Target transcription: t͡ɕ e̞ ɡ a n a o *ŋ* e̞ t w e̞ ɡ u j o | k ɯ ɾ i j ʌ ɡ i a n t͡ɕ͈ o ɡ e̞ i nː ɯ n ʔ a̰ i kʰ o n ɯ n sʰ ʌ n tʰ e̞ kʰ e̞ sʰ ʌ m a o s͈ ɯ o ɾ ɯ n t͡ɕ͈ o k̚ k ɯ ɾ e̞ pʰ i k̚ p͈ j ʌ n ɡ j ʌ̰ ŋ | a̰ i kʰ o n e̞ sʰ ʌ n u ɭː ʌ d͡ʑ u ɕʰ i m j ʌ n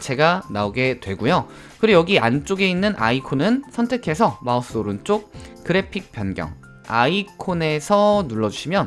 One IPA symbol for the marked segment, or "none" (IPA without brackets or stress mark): ɡ